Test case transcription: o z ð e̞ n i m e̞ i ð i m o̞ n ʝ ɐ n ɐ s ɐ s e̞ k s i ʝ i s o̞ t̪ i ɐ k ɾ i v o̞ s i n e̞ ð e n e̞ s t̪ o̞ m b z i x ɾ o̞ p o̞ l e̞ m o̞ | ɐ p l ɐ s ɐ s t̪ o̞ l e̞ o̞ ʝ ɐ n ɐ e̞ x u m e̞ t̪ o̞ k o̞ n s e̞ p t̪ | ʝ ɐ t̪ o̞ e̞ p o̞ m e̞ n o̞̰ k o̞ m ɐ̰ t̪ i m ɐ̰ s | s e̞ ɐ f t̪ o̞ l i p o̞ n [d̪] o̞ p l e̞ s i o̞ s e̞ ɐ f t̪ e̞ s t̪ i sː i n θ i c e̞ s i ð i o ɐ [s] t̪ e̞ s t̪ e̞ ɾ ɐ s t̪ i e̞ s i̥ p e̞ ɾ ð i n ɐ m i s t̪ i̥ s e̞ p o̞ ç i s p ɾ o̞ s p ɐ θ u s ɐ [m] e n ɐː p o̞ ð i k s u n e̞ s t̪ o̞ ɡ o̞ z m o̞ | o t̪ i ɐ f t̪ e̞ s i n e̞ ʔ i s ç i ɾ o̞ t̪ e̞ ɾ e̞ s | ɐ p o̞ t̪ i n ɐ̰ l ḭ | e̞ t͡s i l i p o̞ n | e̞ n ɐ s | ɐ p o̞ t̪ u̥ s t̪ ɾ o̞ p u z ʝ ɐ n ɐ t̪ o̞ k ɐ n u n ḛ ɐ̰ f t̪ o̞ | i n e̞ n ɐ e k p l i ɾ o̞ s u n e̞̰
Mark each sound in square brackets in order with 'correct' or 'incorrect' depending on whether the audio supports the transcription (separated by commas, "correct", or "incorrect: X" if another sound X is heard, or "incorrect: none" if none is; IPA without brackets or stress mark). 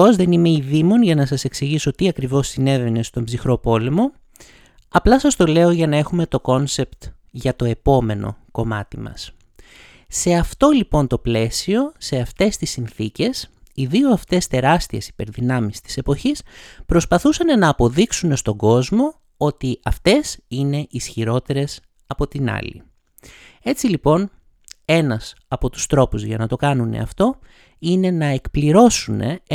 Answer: incorrect: t̪, incorrect: f, incorrect: n